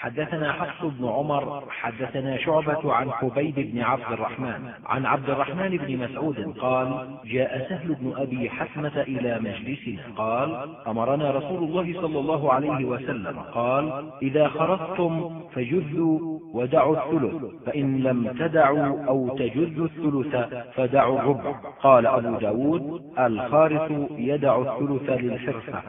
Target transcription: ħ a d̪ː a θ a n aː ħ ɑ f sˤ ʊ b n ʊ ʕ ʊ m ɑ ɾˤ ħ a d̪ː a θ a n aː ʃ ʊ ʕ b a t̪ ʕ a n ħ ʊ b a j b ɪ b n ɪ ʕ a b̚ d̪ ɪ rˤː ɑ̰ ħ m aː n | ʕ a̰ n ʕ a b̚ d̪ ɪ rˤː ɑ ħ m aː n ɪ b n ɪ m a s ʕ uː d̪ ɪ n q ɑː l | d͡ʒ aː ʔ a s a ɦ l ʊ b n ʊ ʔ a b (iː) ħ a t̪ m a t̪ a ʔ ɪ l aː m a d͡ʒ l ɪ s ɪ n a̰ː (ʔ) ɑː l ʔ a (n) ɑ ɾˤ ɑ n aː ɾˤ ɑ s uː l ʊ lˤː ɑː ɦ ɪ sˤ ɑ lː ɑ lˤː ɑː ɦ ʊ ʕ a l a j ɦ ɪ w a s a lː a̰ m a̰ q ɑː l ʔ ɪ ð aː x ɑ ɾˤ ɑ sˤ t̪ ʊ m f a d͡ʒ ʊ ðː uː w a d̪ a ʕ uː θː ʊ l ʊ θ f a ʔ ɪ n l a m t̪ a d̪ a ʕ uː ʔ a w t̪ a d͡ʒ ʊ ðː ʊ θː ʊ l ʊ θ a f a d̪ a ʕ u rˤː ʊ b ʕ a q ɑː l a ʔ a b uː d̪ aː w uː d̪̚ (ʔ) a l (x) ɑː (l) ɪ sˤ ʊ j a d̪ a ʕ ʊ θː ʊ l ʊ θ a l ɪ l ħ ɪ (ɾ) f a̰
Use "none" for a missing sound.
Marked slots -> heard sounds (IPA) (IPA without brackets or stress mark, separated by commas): iː, q, m, ʔ, x, ɾ, ɾ